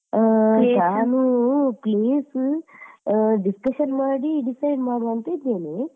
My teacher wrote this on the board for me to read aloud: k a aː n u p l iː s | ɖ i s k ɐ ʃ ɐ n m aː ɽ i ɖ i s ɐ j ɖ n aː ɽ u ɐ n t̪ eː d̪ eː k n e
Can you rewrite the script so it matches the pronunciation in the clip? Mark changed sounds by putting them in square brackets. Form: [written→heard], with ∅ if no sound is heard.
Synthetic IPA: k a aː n u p l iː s | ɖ i s k ɐ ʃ ɐ n m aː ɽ i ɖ i s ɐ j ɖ [n→m] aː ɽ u ɐ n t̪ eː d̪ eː [k→∅] n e

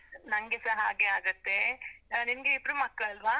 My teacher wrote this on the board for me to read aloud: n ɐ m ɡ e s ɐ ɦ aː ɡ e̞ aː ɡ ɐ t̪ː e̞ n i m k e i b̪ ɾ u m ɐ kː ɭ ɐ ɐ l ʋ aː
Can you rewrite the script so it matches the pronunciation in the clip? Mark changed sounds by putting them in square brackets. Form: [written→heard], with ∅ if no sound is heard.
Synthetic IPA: n ɐ [m→ŋ] ɡ e s ɐ ɦ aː ɡ e̞ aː ɡ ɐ t̪ː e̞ n i m [k→ɡ] e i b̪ ɾ u m ɐ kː ɭ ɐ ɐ l ʋ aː

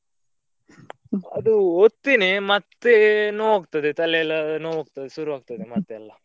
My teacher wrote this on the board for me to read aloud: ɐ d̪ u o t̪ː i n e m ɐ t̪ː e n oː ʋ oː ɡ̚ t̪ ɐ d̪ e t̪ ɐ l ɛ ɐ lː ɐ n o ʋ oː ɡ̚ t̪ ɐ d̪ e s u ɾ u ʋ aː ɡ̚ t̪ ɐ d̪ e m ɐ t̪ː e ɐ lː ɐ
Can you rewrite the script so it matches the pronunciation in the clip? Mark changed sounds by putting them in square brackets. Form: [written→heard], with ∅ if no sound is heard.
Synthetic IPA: ɐ d̪ u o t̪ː i n e m ɐ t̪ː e n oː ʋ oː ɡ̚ t̪ ɐ d̪ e t̪ ɐ l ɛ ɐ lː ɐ n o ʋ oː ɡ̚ t̪ ɐ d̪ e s u ɾ u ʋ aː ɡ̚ t̪ ɐ d̪ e m ɐ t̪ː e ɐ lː ɐ

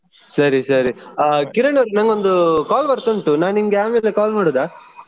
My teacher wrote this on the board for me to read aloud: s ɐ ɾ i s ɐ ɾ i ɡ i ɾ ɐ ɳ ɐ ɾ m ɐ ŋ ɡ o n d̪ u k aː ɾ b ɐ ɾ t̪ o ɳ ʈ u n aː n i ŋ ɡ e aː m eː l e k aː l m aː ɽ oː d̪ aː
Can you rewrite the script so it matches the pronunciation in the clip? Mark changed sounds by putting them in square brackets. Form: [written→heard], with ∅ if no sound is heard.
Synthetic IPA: s ɐ ɾ i s ɐ ɾ i [ɡ→k] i ɾ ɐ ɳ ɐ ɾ [m→n] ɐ ŋ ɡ o n d̪ u k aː [ɾ→l] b ɐ ɾ t̪ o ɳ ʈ u n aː n i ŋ ɡ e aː m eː l e k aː l m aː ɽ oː d̪ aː

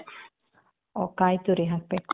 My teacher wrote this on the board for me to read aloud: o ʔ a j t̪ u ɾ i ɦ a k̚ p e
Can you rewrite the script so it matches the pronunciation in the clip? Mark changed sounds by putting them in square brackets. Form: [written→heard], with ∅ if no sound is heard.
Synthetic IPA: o [ʔ→k] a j t̪ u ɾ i ɦ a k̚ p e

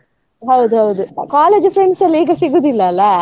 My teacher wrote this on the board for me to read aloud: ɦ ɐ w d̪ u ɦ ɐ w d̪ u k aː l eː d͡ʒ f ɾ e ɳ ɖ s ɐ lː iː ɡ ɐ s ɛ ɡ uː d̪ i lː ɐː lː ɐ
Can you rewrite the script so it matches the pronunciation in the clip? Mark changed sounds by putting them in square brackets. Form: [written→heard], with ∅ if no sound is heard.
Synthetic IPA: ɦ ɐ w d̪ u ɦ ɐ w d̪ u k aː l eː d͡ʒ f ɾ e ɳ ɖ s ɐ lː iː ɡ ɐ s [ɛ→i] ɡ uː d̪ i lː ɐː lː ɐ

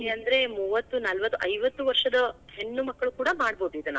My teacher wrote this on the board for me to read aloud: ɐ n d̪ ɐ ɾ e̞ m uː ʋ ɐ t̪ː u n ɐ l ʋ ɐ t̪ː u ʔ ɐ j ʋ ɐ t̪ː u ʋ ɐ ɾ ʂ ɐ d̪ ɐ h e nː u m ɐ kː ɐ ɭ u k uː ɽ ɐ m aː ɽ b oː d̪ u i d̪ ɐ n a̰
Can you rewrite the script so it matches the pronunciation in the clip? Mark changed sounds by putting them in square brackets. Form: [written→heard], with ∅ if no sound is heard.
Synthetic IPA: ɐ n d̪ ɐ ɾ e̞ m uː ʋ ɐ t̪ː u n ɐ l ʋ ɐ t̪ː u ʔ ɐ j ʋ ɐ t̪ː u ʋ ɐ ɾ ʂ ɐ d̪ ɐ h e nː u m ɐ kː ɐ ɭ u k uː ɽ ɐ m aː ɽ b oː d̪ u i d̪ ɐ n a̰

